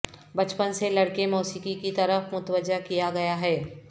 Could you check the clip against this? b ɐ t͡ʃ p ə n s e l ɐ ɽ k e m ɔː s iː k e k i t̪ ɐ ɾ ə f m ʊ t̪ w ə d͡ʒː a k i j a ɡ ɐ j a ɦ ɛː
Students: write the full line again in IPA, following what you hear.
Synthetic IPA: b ɐ t͡ʃ p ə n s e l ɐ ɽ k e m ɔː s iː k i k i t̪ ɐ ɾ ə f m ʊ t̪ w ə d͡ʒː a k i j a ɡ ɐ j a ɦ ɛː